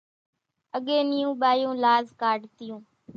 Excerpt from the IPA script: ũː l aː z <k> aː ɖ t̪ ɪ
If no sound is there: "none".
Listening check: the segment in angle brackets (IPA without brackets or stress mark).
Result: k